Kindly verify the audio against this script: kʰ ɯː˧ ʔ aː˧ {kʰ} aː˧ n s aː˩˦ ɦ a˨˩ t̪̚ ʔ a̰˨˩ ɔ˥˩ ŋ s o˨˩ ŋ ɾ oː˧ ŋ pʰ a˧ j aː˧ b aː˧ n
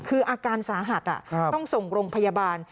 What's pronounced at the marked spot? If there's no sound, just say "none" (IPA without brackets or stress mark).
k